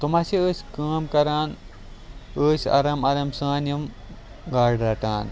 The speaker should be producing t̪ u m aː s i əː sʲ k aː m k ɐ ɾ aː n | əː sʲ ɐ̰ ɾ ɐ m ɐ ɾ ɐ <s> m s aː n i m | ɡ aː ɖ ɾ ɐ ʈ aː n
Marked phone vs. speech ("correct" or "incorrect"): incorrect